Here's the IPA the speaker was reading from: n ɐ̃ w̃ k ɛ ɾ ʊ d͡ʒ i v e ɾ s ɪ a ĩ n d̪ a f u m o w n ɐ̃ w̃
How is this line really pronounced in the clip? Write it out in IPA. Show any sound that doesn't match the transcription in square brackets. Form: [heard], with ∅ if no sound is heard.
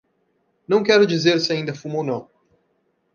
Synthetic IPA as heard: n ɐ̃ w̃ k ɛ ɾ ʊ d͡ʒ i [z] e ɾ s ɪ a ĩ n d̪ [ɐ] f u m o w n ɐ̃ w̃